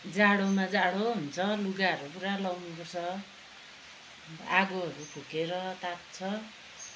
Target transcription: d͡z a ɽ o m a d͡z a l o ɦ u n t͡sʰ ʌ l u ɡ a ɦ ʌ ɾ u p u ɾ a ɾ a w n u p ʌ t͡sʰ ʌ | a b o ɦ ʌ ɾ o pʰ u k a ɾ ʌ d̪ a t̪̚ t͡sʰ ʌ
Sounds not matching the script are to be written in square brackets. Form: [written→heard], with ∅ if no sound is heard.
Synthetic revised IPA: d͡z a ɽ o m a d͡z a [l→ɽ] o ɦ u n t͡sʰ ʌ l u ɡ a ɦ ʌ ɾ u p u ɾ a [ɾ→l] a w n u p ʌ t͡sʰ ʌ | a [b→ɡ] o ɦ ʌ ɾ [o→u] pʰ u k [a→e] ɾ ʌ [d̪→t̪] a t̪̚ t͡sʰ ʌ